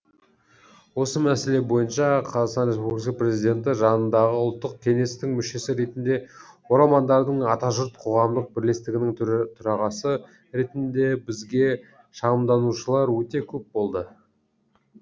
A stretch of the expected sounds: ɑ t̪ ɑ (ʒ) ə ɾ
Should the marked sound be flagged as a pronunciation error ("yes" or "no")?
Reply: no